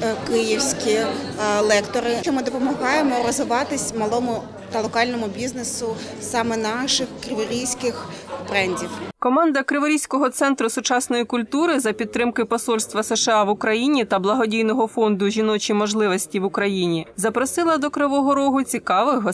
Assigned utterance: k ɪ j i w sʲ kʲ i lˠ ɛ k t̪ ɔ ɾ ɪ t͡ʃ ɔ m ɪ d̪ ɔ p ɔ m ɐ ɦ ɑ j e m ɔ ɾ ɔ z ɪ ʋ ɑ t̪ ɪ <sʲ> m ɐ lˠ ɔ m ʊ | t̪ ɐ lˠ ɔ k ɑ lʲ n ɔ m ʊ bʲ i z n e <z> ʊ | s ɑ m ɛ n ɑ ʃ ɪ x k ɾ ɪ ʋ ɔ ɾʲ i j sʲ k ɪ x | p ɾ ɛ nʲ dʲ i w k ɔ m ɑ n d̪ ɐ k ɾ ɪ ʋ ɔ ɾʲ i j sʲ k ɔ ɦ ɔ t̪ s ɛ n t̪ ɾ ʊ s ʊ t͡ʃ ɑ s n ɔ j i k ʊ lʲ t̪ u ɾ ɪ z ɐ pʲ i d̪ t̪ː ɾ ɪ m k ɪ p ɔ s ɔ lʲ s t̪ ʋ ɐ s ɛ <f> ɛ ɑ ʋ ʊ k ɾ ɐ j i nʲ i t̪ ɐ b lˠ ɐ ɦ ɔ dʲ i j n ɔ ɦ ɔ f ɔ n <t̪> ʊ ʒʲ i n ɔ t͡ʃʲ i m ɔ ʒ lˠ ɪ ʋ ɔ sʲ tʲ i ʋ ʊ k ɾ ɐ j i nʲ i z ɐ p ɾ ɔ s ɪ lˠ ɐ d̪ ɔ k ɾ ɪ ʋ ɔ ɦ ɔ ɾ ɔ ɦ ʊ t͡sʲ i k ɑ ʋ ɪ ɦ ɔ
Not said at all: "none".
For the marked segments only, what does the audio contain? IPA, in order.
sʲ, s, ʃ, d̪

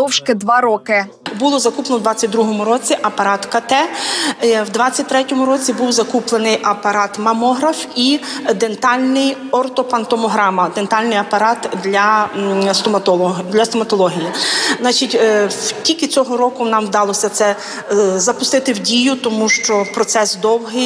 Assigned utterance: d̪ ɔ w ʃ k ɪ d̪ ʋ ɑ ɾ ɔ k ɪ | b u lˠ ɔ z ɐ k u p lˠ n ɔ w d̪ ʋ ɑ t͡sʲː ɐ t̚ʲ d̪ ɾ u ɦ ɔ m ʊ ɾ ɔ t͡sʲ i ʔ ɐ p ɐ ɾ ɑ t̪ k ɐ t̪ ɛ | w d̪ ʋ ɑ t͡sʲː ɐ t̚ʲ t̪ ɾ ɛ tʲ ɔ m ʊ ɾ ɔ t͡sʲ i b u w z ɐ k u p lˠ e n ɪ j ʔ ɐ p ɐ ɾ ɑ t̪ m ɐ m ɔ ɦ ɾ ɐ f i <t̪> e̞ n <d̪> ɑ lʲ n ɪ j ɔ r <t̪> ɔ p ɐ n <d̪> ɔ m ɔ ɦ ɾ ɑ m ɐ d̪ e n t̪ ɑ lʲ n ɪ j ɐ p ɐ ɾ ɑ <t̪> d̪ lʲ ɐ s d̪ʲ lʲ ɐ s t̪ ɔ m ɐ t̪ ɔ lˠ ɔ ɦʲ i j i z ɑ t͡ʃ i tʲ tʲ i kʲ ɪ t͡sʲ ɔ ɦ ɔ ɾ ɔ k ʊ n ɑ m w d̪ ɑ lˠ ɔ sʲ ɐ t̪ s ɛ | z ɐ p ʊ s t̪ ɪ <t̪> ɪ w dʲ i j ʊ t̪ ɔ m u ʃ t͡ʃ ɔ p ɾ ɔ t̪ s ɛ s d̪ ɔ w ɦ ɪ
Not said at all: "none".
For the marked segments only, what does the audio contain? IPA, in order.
d̪, t̪, t̪, t̪, t̪, t̪

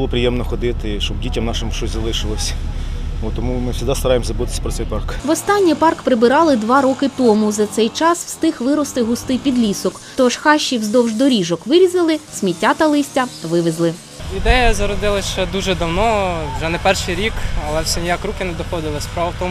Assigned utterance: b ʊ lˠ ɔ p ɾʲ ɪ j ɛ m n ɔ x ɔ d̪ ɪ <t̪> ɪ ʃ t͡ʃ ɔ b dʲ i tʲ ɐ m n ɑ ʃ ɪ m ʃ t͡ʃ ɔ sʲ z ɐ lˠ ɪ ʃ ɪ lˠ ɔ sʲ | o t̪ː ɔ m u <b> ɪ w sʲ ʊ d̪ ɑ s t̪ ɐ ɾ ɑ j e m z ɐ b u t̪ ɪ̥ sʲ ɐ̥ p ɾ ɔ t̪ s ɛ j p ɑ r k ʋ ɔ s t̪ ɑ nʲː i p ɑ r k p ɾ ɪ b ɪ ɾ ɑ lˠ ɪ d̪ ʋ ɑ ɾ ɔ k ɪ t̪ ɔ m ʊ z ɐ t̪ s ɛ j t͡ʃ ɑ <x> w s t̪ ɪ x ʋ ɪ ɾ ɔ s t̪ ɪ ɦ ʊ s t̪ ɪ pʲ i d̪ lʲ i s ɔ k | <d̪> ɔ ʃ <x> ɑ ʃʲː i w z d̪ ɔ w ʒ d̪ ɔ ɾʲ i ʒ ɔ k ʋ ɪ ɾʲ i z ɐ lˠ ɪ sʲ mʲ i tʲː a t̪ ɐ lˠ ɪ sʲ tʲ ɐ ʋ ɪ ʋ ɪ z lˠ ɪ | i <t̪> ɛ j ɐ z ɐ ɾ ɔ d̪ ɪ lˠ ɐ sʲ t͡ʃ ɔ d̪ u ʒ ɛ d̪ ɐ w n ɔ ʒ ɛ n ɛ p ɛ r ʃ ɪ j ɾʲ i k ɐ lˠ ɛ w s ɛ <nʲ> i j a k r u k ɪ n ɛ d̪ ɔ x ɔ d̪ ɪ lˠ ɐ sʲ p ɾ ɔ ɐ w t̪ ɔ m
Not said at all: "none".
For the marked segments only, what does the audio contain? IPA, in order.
t̪, m, s, t̪, x, d̪, nʲ

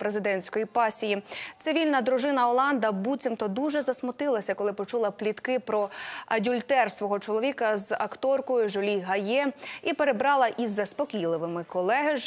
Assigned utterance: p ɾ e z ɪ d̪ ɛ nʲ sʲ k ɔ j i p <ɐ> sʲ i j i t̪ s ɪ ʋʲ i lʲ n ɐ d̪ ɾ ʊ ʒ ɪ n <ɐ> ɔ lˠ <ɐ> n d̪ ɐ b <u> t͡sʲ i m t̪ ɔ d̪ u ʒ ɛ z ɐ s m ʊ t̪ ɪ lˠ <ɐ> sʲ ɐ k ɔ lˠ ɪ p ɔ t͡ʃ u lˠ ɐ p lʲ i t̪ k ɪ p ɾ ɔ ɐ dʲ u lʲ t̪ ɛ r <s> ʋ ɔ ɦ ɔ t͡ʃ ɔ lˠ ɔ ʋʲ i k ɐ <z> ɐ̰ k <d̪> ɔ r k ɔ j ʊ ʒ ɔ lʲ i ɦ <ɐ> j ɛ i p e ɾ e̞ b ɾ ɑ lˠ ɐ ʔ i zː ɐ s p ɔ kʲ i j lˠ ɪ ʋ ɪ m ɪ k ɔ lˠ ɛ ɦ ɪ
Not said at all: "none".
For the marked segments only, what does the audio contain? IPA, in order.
ɑ, ɐ, ɑ, u, ɐ, s, z, t̪, ɐ

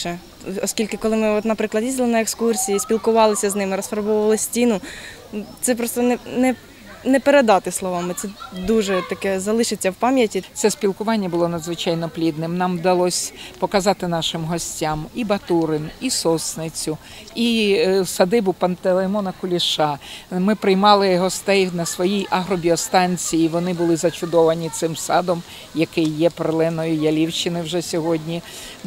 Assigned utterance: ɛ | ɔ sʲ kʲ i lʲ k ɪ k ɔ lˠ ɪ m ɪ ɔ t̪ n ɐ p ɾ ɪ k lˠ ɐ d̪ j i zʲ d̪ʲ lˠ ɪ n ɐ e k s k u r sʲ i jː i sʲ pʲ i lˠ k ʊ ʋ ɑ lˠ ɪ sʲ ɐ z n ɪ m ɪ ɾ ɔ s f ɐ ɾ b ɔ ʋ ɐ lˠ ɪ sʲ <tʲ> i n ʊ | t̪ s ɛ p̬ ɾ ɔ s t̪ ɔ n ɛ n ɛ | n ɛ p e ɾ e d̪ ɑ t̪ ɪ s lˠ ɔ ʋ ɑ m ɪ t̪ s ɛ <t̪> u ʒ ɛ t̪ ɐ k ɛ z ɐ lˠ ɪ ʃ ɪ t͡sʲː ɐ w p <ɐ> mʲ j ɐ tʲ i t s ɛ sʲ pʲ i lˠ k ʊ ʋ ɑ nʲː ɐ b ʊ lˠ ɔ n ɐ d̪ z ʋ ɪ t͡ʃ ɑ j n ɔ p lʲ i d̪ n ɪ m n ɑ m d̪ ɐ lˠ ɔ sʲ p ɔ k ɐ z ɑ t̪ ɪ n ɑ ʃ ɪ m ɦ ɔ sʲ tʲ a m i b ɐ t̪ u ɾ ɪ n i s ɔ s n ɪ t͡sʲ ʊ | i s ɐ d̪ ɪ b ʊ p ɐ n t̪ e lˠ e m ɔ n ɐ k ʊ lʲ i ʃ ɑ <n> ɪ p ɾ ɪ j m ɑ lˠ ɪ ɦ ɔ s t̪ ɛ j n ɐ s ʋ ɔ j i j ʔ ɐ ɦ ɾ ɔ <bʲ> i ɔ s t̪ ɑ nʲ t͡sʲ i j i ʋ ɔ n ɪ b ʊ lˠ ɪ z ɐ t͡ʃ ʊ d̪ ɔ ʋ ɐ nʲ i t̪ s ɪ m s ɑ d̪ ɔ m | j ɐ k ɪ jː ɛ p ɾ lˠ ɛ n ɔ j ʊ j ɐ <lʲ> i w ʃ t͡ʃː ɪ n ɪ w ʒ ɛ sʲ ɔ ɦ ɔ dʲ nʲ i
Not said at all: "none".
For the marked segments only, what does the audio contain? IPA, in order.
tʲ, d̪, ɑ, m, bʲ, lʲ

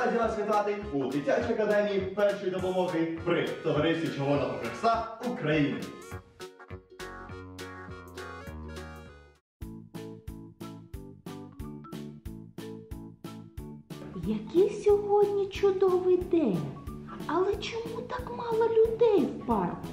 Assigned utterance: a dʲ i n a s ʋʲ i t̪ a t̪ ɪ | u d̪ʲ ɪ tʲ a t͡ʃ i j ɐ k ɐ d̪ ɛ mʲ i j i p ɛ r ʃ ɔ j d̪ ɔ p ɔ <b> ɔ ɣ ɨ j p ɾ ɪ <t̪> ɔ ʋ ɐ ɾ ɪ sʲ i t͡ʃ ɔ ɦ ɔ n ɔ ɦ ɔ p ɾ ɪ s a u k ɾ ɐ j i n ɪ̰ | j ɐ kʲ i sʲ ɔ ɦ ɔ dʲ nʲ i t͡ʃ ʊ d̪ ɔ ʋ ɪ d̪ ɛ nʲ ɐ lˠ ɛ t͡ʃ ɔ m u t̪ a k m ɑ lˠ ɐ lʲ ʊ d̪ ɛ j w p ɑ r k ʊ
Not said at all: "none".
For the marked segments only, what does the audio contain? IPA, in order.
m, t̪

